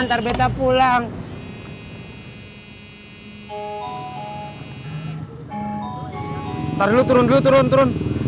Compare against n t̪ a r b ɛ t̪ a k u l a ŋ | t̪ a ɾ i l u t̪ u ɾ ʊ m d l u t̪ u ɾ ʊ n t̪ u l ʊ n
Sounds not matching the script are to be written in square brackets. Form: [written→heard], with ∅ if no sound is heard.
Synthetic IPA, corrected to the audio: n t̪ a r b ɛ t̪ a [k→p] u l a ŋ | t̪ a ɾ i l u t̪ u ɾ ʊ [m→n] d l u t̪ u ɾ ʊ n t̪ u [l→ɾ] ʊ n